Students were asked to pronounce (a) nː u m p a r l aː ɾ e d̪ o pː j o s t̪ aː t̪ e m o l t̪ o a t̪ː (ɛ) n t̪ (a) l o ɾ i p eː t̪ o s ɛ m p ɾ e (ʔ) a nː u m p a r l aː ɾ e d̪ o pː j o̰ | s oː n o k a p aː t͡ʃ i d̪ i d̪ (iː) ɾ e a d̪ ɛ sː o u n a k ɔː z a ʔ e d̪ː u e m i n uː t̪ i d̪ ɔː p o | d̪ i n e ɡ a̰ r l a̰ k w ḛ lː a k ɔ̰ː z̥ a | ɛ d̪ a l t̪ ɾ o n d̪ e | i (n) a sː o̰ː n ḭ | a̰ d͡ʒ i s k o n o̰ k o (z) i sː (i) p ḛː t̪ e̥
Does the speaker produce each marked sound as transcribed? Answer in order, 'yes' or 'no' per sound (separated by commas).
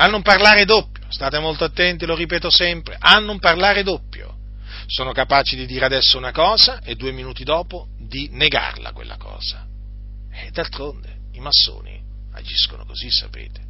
yes, yes, no, yes, yes, no, yes, no